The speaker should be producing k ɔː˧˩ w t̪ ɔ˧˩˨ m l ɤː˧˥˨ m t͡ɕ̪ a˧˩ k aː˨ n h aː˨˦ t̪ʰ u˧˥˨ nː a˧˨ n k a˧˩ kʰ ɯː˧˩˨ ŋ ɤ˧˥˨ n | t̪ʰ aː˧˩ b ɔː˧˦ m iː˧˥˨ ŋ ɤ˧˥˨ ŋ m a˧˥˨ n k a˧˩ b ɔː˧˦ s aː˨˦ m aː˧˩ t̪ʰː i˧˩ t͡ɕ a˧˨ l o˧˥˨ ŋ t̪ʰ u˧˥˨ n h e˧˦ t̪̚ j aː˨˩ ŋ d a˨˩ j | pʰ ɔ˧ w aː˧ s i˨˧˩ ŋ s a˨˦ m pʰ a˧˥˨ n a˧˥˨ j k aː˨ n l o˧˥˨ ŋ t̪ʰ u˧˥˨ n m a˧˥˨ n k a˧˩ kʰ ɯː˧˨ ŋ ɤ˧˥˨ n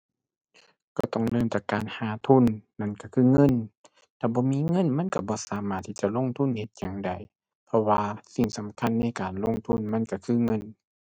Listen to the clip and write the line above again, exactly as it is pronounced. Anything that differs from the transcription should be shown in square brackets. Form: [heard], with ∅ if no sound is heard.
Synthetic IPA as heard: k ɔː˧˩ [∅] t̪ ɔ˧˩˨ [ŋ] l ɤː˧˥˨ m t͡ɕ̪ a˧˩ k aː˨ n h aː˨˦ t̪ʰ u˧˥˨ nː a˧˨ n k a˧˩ kʰ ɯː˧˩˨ ŋ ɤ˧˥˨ n | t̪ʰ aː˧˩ b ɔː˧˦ m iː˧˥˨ ŋ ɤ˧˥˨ [n] m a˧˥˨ n k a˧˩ b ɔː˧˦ s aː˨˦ m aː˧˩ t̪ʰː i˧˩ t͡ɕ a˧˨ l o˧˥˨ ŋ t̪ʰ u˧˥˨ n h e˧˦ t̪̚ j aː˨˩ ŋ d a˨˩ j | pʰ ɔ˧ w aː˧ s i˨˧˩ ŋ s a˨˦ m [kʰ] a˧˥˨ [nː] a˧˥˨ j k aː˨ n l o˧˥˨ ŋ t̪ʰ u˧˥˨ n m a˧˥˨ n k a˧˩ kʰ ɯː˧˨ ŋ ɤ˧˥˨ n